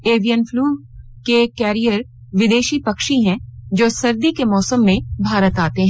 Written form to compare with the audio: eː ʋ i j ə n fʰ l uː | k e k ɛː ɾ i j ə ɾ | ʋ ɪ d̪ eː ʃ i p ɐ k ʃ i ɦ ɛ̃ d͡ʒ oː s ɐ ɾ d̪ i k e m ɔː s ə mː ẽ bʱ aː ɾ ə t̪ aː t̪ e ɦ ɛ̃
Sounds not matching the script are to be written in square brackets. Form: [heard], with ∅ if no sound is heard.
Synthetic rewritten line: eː ʋ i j ə n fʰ l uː | k e k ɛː ɾ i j ə ɾ | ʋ ɪ d̪ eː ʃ i p ɐ k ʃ i ɦ ɛ̃ d͡ʒ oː s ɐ ɾ d̪ i k e m ɔː s ə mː ẽ bʱ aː ɾ ə t̪ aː t̪ e ɦ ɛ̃